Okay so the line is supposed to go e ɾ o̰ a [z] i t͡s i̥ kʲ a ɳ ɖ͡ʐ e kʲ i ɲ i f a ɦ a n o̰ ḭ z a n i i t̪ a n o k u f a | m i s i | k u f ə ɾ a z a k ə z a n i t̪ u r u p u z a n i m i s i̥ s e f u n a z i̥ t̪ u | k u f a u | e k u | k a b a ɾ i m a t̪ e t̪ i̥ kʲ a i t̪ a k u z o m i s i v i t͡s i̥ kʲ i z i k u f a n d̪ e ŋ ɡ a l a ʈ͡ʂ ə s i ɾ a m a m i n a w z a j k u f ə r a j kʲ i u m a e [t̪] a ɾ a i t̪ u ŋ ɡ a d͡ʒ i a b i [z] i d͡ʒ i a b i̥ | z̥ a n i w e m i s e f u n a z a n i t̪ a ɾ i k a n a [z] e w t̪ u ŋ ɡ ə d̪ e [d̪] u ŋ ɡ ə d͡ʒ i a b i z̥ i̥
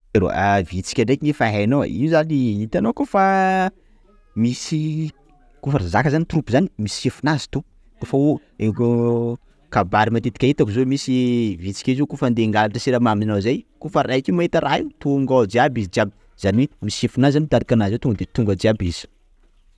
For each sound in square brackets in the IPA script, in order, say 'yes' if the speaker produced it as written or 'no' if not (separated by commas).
no, yes, yes, yes, no